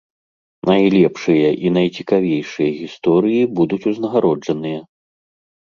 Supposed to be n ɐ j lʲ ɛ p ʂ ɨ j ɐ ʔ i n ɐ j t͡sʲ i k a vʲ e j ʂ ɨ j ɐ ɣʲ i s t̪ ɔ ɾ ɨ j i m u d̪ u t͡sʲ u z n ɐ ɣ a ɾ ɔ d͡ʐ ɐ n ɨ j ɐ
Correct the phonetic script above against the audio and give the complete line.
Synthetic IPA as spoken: n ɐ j lʲ ɛ p ʂ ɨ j ɐ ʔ i n ɐ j t͡sʲ i k a vʲ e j ʂ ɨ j ɐ ɣʲ i s t̪ ɔ ɾ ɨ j i b u d̪ u t͡sʲ u z n ɐ ɣ a ɾ ɔ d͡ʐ ɐ n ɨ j ɐ